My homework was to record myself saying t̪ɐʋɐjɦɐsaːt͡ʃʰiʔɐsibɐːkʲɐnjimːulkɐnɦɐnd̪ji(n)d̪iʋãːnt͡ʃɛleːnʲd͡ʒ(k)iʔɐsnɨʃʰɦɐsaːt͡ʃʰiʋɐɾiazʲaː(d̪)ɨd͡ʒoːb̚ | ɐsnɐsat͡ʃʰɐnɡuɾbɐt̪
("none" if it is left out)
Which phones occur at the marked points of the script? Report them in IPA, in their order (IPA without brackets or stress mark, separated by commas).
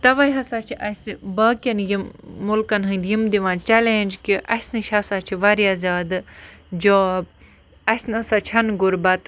m, k, d̪